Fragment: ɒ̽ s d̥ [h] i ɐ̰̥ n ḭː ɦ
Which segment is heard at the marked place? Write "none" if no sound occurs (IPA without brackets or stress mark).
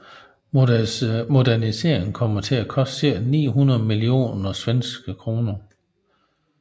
s